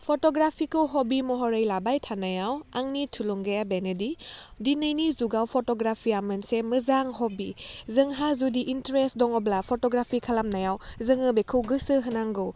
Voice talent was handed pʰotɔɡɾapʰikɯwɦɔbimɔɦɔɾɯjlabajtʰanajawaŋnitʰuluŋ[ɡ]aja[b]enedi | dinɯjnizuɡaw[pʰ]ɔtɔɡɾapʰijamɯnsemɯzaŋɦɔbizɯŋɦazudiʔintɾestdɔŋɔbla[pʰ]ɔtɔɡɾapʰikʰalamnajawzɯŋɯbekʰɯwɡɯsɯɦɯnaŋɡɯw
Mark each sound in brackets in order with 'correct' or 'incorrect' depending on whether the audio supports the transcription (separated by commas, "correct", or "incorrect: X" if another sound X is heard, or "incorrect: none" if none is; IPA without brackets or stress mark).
correct, correct, correct, correct